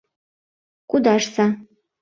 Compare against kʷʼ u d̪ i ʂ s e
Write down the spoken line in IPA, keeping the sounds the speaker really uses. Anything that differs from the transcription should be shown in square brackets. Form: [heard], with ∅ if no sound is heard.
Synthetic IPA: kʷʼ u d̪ [a] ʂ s [a]